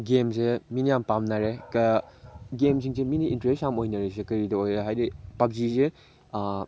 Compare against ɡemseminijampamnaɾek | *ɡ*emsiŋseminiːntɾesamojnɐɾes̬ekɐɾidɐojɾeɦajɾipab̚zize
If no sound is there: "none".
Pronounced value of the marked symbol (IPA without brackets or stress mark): ɡ